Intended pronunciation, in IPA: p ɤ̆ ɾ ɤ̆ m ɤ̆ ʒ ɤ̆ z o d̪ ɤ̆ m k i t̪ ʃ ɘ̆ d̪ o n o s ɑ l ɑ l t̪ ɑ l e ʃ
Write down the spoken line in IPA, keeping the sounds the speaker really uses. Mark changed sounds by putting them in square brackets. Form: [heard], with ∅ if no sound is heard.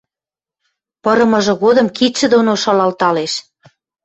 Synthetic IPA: p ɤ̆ ɾ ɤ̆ m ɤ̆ ʒ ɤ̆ [ɣ] o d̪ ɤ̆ m k i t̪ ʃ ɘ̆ d̪ o n o [ʃ] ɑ l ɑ l t̪ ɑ l e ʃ